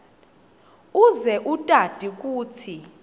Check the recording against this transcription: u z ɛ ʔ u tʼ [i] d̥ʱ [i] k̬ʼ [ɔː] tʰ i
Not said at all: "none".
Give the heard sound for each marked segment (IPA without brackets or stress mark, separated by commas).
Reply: a, i, uː